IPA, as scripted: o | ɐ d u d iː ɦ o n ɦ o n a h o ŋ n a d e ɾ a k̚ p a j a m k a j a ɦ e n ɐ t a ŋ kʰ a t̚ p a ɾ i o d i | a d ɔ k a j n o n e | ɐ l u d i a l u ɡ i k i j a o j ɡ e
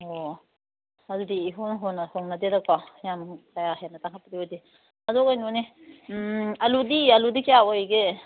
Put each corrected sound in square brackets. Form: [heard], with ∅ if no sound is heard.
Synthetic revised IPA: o | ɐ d u d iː ɦ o n ɦ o n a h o ŋ n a d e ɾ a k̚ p a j a m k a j a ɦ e n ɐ t a ŋ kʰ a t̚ p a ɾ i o d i | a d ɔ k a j n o n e | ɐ l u d i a l u [d] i k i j a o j ɡ e

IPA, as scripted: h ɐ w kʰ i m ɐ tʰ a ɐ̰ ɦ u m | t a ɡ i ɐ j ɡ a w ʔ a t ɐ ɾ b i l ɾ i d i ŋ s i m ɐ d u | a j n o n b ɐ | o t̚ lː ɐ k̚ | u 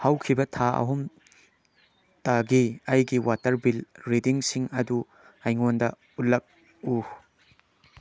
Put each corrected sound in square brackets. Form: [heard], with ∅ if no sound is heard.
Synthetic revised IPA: h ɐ w kʰ i [b] ɐ tʰ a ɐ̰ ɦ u m | t a ɡ i ɐ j ɡ [i] w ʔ a t ɐ ɾ b i l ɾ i d i ŋ s i [ŋ] ɐ d u | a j [ŋ] o n [d] ɐ | [u] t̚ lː ɐ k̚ | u

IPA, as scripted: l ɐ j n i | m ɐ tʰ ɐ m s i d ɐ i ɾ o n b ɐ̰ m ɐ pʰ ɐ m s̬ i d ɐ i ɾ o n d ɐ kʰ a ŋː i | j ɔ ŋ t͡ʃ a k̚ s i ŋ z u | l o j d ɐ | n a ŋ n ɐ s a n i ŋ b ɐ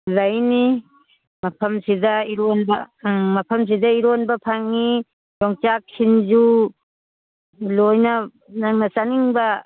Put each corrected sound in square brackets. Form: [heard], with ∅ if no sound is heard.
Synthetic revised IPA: l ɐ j n i | m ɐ [pʰ] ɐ m s i d ɐ i ɾ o n b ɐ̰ m ɐ pʰ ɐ m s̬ i d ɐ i ɾ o n [b] ɐ [pʰ] a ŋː i | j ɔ ŋ t͡ʃ a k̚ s i [n] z u | l o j [n] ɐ | n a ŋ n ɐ s a n i ŋ b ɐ

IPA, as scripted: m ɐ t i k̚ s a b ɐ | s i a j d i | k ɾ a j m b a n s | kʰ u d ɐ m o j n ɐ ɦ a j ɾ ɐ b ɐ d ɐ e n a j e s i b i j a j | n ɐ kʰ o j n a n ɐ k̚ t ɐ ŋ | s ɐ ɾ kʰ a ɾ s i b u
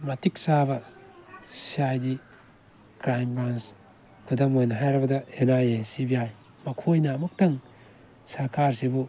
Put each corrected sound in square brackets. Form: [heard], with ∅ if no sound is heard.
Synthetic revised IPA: m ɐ t i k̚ s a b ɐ | s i a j d i | k ɾ a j m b a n s | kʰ u d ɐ m o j n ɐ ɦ a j ɾ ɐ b ɐ d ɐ e n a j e s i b i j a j | [m] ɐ kʰ o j n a [m] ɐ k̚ t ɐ ŋ | s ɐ ɾ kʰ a ɾ s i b u

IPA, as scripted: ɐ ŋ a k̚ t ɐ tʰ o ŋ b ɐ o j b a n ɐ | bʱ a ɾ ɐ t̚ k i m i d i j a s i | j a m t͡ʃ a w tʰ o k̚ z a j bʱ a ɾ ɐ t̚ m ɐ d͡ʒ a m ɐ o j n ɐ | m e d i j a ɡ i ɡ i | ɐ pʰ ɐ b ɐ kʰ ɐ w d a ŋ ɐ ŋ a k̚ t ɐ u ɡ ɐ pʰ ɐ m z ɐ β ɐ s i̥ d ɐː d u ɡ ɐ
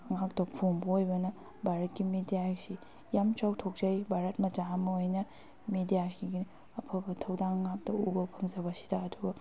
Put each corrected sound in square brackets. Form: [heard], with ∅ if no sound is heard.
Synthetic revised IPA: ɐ ŋ a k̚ t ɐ [pʰ] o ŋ b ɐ o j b [ɐ] n ɐ | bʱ a ɾ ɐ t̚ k i m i d i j a s i | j a m t͡ʃ a w tʰ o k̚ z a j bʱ a ɾ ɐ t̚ m ɐ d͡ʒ a m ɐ o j n ɐ | m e d i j a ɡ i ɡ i | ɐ pʰ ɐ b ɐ [tʰ] ɐ w d a ŋ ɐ ŋ a k̚ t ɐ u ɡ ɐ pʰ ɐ [ŋ] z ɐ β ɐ s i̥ d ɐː d u ɡ ɐ

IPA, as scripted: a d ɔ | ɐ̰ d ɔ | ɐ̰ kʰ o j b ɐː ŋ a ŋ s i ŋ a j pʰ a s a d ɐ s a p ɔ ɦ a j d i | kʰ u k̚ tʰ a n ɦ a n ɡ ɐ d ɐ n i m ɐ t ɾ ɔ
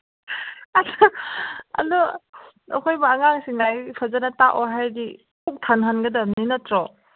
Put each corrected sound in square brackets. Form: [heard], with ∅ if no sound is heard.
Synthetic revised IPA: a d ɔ | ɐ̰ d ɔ | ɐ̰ kʰ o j b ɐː ŋ a ŋ s i ŋ a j pʰ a [z] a [n] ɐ [t] a [ʔ] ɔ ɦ a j d i | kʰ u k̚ tʰ a n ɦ a n ɡ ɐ d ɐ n i [n] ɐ t ɾ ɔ

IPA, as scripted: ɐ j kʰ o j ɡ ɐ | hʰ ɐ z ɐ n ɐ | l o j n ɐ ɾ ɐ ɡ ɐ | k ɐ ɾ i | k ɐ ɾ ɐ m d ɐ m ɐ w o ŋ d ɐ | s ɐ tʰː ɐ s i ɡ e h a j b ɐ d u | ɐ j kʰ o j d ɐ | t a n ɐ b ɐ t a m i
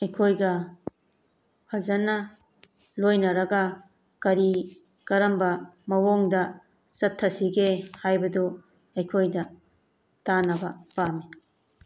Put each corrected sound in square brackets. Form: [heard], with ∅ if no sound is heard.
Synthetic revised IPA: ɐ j kʰ o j ɡ ɐ | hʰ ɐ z ɐ n ɐ | l o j n ɐ ɾ ɐ ɡ ɐ | k ɐ ɾ i | k ɐ ɾ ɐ m [b] ɐ m ɐ w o ŋ d ɐ | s ɐ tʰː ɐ s i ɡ e h a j b ɐ d u | ɐ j kʰ o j d ɐ | t a n ɐ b ɐ [p] a m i

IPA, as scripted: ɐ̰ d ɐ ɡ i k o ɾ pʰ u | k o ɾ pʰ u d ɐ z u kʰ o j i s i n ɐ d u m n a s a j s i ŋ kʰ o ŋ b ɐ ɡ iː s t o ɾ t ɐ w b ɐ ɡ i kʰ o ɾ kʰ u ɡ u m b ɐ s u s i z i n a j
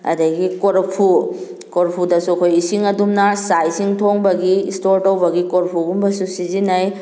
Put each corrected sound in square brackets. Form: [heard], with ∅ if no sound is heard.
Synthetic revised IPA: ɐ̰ d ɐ ɡ i k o ɾ pʰ u | k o ɾ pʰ u d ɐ [s] u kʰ o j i s i [ŋ] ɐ d u m n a s a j s i ŋ [tʰ] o ŋ b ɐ ɡ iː s t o ɾ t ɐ w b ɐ ɡ i [k] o ɾ [pʰ] u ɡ u m b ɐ s u s i z i n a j

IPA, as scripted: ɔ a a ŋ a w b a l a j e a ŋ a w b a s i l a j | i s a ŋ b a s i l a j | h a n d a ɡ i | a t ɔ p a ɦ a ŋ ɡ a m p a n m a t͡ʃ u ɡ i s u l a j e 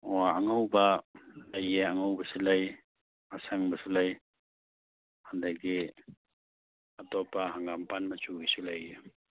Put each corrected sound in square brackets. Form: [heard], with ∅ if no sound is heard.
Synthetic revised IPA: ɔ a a ŋ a w b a l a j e a ŋ a w b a s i l a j | [a] s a ŋ b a s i l a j | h a n d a ɡ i | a t ɔ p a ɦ a ŋ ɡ a m p a n m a t͡ʃ u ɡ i s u l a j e

